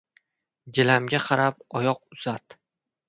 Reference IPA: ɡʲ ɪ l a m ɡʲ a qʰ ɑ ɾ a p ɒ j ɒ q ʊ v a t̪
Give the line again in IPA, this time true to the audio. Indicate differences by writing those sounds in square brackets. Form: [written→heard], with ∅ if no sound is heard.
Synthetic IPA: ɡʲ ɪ l a m ɡʲ a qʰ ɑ ɾ a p ɒ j ɒ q ʊ [v→z] a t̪

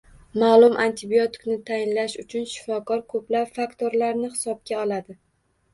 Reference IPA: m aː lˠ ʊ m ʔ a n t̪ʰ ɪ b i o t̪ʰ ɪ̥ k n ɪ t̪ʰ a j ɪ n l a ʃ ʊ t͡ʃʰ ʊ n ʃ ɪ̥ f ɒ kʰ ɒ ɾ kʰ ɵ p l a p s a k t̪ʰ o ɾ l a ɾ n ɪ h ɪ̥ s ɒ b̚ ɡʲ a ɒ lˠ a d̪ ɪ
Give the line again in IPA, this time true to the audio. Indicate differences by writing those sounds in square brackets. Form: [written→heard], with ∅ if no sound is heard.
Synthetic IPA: m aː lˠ ʊ m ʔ a n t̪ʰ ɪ b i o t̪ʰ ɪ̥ k n ɪ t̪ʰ a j ɪ n l a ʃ ʊ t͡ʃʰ ʊ n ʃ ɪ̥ f ɒ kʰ ɒ ɾ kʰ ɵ p l a p [s→f] a k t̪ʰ o ɾ l a ɾ n ɪ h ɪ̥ s ɒ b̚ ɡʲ a ɒ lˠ a d̪ ɪ

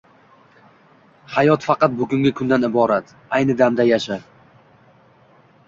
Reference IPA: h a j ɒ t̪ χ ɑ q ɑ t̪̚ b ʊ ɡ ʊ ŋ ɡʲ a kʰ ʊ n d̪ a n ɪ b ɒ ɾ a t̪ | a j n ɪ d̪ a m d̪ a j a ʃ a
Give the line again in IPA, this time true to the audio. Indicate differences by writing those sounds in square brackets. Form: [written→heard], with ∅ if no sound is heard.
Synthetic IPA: h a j ɒ t̪ [χ→f] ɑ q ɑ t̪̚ b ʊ ɡ ʊ ŋ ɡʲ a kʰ ʊ n d̪ a n ɪ b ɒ ɾ a t̪ | a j n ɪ d̪ a m d̪ a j a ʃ a

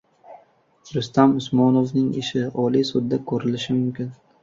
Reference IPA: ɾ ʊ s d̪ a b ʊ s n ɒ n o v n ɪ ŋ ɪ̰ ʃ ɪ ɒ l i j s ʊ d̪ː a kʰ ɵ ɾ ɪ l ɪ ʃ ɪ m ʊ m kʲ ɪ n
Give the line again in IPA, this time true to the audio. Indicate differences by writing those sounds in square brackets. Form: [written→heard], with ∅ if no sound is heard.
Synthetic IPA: ɾ ʊ s [d̪→t̪] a [b→m] ʊ s [n→m] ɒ n o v n ɪ ŋ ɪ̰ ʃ ɪ ɒ l i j s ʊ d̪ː a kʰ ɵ ɾ ɪ l ɪ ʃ ɪ m ʊ m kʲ ɪ n

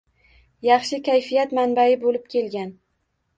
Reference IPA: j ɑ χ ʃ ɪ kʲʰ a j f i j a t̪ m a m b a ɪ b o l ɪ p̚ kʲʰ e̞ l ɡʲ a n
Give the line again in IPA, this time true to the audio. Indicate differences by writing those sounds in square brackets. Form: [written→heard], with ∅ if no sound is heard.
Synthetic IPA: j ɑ χ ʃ ɪ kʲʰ a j f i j a t̪ m a [m→n] b a ɪ b o l ɪ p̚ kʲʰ e̞ l ɡʲ a n

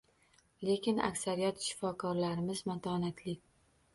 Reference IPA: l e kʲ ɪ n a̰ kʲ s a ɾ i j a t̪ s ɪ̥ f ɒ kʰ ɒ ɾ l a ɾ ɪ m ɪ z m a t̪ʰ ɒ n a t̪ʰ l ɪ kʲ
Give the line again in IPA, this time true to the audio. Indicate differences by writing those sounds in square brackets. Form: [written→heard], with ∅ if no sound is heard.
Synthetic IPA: l e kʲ ɪ n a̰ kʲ s a ɾ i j a t̪ [s→ʃ] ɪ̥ f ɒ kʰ ɒ ɾ l a ɾ ɪ m ɪ z m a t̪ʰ ɒ n a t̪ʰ l ɪ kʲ

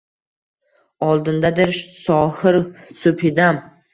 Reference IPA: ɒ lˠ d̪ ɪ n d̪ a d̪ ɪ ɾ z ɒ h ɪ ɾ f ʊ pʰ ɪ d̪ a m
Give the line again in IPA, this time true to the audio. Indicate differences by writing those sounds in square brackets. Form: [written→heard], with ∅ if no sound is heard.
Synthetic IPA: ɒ lˠ d̪ ɪ n d̪ a d̪ ɪ ɾ [z→s] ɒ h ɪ ɾ [f→s] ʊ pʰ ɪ d̪ a m

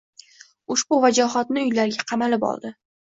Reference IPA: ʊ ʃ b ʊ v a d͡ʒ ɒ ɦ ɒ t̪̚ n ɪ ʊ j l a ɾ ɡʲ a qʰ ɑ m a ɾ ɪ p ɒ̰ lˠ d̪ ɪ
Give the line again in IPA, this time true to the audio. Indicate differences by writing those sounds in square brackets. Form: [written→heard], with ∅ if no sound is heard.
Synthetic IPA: ʊ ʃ b ʊ v a d͡ʒ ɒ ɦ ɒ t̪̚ n ɪ ʊ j l a ɾ ɡʲ a qʰ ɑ m a [ɾ→l] ɪ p ɒ̰ lˠ d̪ ɪ

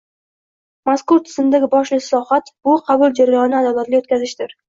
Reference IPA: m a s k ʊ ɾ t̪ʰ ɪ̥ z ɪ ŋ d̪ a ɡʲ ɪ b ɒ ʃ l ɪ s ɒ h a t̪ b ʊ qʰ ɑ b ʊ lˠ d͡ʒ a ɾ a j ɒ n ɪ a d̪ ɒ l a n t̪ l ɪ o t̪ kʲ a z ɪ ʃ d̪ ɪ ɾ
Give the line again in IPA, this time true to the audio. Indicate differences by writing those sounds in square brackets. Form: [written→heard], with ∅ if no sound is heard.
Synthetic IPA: m a s k ʊ ɾ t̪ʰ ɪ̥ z ɪ [ŋ→m] d̪ a ɡʲ ɪ b ɒ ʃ l ɪ s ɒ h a t̪ b ʊ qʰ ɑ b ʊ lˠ d͡ʒ a ɾ a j ɒ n ɪ a d̪ ɒ l a [n→∅] t̪ l ɪ o t̪ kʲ a z ɪ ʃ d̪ ɪ ɾ

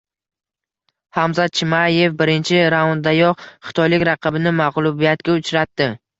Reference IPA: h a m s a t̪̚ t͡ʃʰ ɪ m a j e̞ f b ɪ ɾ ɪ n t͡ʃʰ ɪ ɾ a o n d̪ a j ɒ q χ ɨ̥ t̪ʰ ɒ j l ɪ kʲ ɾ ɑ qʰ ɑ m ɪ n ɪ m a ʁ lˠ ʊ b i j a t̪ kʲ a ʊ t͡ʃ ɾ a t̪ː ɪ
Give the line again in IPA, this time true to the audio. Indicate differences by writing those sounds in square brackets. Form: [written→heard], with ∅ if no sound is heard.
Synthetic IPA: h a m [s→z] a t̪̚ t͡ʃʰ ɪ m a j e̞ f b ɪ ɾ ɪ n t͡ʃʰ ɪ ɾ a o n d̪ a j ɒ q χ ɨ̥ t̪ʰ ɒ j l ɪ kʲ ɾ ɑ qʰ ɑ [m→b] ɪ n ɪ m a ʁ lˠ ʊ b i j a t̪ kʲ a ʊ t͡ʃ ɾ a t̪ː ɪ

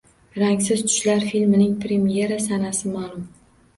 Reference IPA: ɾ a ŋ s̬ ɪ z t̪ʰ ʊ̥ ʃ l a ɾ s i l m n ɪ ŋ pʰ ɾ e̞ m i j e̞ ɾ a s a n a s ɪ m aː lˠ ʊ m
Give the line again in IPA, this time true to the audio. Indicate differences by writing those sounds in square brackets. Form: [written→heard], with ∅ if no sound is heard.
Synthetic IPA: ɾ a ŋ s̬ ɪ z t̪ʰ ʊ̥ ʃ l a ɾ [s→f] i l m n ɪ ŋ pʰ ɾ e̞ m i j e̞ ɾ a s a n a s ɪ m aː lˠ ʊ m

